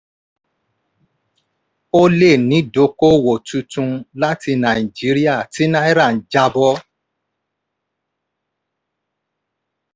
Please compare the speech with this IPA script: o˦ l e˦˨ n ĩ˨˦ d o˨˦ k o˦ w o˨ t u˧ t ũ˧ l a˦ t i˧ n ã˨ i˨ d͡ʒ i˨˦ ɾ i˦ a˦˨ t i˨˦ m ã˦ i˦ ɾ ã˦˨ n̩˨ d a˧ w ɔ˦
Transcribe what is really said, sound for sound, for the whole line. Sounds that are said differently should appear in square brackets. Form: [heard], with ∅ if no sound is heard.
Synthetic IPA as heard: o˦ l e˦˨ n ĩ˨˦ d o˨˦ k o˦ w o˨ t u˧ t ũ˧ l a˦ t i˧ n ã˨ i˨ d͡ʒ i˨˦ ɾ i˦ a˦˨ t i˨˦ [n] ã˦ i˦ ɾ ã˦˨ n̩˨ [d͡ʒ] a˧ [b] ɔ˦